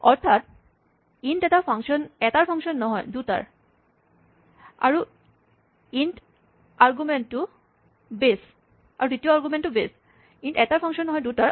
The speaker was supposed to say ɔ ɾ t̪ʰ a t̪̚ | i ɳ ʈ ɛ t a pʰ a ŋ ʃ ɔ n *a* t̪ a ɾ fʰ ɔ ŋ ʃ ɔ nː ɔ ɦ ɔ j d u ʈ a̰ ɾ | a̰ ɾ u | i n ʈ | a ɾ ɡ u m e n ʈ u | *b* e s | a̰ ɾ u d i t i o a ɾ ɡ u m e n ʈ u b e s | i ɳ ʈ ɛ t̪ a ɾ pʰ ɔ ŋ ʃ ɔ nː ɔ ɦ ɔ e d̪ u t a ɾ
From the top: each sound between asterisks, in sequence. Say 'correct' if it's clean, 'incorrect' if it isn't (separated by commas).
incorrect, correct